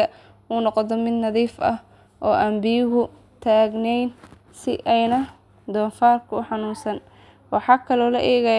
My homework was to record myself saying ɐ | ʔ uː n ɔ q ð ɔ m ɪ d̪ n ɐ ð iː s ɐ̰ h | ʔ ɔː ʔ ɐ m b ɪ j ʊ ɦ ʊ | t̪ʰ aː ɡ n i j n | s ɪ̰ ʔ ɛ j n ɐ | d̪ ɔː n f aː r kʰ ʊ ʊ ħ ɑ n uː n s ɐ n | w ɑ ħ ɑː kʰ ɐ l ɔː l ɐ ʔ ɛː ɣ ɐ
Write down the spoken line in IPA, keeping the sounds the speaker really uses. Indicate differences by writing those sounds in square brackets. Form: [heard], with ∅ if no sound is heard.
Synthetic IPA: ɐ | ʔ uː n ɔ q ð ɔ m ɪ d̪ n ɐ ð iː [f] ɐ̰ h | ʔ ɔː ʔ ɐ m b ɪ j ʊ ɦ ʊ | t̪ʰ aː ɡ n [ɛ] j n | s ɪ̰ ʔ ɛ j n ɐ | d̪ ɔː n f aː r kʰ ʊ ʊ ħ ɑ n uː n s ɐ n | w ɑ ħ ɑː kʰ ɐ l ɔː l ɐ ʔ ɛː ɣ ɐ